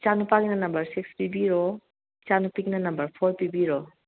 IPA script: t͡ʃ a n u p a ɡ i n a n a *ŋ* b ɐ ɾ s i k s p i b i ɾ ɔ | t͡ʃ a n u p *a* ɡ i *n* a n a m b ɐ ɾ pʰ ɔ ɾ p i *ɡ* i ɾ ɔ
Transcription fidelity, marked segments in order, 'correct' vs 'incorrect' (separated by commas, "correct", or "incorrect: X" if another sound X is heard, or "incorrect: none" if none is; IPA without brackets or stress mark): incorrect: m, incorrect: i, correct, incorrect: b